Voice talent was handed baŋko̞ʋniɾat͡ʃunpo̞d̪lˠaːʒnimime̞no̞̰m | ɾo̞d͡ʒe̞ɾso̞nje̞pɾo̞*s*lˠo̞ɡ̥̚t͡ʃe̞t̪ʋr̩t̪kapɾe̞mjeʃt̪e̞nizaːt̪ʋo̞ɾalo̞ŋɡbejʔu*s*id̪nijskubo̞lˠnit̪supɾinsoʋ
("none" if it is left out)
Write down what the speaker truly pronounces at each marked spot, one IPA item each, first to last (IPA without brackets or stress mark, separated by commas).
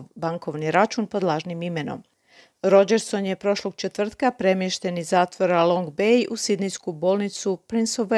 ʃ, s